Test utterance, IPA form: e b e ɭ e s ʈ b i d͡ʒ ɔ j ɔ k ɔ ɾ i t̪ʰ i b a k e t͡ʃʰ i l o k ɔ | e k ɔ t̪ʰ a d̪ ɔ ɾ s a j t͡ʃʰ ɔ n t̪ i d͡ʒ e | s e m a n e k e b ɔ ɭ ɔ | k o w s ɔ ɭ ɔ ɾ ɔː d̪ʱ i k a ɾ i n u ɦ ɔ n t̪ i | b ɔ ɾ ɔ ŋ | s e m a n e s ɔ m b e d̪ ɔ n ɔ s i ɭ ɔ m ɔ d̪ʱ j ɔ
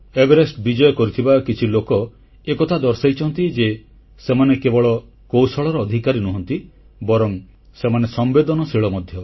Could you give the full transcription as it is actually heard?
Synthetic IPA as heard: e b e ɾ e s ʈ b i d͡ʒ ɔ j ɔ k ɔ ɾ i t̪ʰ i b a k i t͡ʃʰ i l o k ɔ | e k ɔ t̪ʰ a d̪ ɔ ɾ s a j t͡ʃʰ ɔ n t̪ i d͡ʒ e | s e m a n e k e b ɔ ɭ ɔ | k o w s ɔ ɭ ɔ ɾ ɔː d̪ʱ i k a ɾ i n u ɦ ɔ n t̪ i | b ɔ ɾ ɔ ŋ | s e m a n e s ɔ m b e d̪ ɔ n ɔ s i ɭ ɔ m ɔ d̪ʱ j ɔ